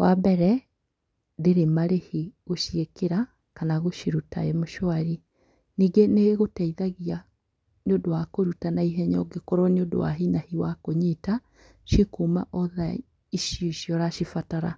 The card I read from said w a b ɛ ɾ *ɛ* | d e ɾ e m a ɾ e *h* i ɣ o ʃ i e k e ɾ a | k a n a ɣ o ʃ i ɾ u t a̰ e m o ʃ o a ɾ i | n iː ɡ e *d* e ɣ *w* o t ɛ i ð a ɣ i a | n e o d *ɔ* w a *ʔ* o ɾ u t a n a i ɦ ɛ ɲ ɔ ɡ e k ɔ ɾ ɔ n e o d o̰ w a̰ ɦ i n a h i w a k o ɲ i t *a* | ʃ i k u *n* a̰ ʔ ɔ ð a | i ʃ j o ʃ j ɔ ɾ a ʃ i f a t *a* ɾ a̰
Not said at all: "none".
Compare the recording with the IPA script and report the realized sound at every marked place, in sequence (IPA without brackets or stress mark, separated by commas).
ɛ, h, n, ɣ, o, k, a, m, a